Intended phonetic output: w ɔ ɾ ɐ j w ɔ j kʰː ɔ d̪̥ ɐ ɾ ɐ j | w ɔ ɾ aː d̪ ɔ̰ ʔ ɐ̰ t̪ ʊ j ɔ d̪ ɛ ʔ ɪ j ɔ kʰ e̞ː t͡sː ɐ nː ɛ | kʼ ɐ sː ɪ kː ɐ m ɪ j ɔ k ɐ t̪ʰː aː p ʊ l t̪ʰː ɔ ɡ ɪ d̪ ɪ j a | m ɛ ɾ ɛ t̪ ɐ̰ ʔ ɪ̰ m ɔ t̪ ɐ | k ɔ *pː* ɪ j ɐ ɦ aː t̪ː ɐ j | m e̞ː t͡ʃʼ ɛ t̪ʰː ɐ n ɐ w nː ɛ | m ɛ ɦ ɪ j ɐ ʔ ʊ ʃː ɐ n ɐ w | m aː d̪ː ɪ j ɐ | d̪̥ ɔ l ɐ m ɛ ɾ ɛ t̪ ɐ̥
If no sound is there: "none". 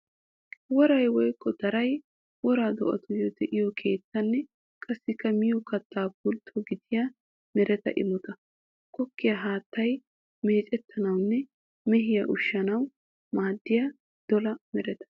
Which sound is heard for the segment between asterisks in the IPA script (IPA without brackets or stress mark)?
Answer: kː